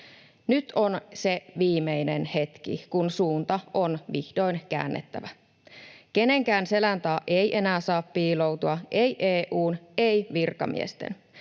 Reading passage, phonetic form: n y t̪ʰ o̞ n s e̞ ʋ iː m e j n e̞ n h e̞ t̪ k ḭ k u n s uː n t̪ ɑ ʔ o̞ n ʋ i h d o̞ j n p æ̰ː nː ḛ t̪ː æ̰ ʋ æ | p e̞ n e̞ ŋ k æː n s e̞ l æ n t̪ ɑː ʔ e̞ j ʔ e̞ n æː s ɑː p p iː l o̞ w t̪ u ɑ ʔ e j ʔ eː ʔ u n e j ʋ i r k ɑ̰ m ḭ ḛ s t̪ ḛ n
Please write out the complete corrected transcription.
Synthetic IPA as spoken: n y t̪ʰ o̞ n s e̞ ʋ iː m e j n e̞ n h e̞ t̪ k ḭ k u n s uː n t̪ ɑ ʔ o̞ n ʋ i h d o̞ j n k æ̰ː nː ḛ t̪ː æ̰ ʋ æ | k e̞ n e̞ ŋ k æː n s e̞ l æ n t̪ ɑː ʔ e̞ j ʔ e̞ n æː s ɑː p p iː l o̞ w t̪ u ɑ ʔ e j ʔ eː ʔ uː n e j ʋ i r k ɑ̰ m ḭ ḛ s t̪ ḛ n